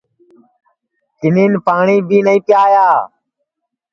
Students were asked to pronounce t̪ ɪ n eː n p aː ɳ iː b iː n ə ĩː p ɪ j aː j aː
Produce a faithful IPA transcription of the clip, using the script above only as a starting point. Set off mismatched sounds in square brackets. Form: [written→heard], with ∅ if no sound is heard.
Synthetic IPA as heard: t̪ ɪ n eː n p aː ɳ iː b iː n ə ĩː p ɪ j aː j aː